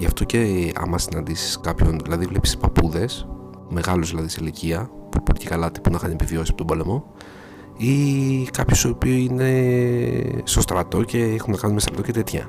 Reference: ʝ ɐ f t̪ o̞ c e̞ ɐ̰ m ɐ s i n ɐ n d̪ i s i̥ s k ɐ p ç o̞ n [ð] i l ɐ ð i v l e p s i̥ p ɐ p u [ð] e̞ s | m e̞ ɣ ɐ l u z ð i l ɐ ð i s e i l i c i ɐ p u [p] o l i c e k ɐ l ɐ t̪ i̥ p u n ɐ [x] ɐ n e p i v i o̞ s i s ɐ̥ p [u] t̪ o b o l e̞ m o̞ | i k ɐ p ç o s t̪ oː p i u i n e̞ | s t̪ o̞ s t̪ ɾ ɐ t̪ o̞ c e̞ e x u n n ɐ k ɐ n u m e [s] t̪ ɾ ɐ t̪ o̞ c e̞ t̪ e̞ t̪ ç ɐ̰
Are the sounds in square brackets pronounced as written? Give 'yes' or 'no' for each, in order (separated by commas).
yes, yes, yes, yes, no, yes